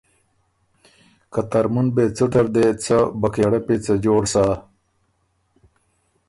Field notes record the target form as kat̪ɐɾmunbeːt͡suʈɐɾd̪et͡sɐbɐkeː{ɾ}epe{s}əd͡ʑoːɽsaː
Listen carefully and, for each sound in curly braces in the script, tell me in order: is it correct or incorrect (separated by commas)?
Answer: incorrect, incorrect